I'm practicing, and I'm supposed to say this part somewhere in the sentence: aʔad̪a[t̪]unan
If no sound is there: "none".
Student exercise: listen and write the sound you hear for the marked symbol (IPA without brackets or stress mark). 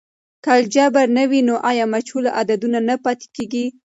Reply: d̪